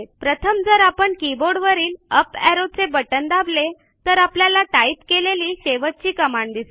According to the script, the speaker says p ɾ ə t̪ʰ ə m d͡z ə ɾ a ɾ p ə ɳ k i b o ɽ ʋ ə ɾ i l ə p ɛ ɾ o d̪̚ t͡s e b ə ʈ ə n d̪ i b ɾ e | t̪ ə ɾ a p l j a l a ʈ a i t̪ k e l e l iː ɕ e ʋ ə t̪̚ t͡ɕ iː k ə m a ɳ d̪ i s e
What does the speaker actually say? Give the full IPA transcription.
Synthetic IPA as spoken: p ɾ ə t̪ʰ ə m d͡z ə ɾ a p ə ɳ k i b o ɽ ʋ ə ɾ iː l ə p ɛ ɾ o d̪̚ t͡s e b ə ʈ ə n d̪ a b l e | t̪ ə ɾ a p l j a l a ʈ a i t̪ k e l e l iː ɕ e ʋ ə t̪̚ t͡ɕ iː k ə m a ɳ d̪ i s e